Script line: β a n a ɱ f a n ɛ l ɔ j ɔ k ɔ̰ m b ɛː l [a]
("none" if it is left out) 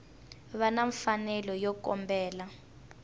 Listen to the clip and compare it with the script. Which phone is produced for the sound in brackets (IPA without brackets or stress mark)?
a